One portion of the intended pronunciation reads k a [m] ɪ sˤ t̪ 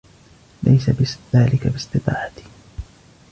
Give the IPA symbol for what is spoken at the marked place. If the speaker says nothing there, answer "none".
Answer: b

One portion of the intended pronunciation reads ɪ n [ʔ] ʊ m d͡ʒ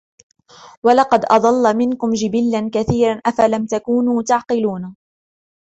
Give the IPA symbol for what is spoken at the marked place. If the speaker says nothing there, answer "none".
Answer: k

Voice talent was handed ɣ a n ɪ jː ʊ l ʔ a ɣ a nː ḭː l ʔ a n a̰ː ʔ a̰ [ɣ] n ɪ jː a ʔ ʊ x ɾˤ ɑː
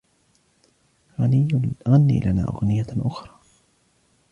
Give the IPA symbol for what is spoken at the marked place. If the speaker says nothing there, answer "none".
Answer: ɣ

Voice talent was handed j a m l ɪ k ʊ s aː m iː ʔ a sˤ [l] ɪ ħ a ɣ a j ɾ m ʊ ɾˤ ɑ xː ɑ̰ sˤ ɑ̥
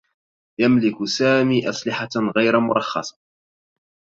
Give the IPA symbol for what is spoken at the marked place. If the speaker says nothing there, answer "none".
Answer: l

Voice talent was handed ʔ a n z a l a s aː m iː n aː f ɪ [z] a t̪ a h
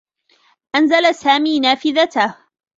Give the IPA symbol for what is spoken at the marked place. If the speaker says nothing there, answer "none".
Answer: ð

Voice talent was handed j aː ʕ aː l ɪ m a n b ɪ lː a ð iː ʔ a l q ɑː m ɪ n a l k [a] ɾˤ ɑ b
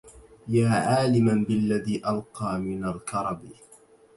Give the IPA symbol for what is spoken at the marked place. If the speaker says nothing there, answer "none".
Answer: ɑ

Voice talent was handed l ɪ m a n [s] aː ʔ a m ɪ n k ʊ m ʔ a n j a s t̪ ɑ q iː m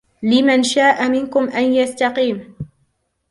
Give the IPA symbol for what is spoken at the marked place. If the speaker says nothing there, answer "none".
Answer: ʃ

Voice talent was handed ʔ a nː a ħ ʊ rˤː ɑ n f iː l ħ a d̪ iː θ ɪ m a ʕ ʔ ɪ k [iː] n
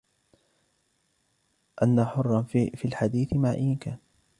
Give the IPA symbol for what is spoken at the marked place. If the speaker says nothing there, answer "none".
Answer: aː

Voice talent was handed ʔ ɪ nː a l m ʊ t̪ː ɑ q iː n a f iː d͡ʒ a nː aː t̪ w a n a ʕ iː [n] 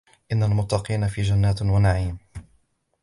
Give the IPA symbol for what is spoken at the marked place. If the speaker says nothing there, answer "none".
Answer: m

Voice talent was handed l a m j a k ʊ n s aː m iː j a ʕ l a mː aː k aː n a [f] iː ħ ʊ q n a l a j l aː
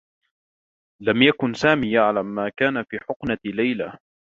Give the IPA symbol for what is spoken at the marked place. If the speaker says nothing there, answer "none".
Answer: f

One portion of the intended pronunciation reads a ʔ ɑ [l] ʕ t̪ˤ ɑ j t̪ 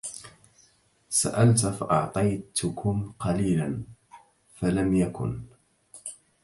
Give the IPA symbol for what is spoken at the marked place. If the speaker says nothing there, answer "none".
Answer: none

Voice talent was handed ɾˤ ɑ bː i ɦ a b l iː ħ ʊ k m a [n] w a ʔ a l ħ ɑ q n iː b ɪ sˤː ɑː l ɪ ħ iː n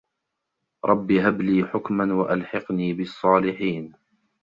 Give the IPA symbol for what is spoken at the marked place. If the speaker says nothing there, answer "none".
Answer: n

